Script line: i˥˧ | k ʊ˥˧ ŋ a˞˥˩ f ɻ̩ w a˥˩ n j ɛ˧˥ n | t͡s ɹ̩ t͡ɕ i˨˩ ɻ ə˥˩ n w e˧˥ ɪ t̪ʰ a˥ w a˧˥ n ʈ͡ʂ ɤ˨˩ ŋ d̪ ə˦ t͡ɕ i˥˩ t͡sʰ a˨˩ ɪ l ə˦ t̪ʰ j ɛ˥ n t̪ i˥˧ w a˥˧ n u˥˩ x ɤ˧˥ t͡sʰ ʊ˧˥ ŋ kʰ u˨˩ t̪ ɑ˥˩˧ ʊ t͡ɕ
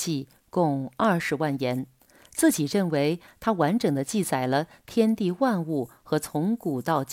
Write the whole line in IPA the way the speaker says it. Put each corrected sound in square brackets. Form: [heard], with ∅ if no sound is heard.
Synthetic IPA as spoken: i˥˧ | k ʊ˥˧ ŋ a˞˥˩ [ʂ] ɻ̩ w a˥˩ n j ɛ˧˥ n | t͡s ɹ̩ t͡ɕ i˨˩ ɻ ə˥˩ n w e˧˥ ɪ t̪ʰ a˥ w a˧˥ n ʈ͡ʂ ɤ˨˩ ŋ d̪ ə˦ t͡ɕ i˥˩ [t͡s] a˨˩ ɪ l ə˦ t̪ʰ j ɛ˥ n t̪ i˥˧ w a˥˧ n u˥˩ x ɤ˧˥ t͡sʰ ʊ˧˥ ŋ [k] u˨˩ t̪ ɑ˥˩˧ ʊ t͡ɕ